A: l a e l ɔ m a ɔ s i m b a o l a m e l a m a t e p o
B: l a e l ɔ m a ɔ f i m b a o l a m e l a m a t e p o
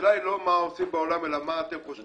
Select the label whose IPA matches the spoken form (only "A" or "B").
A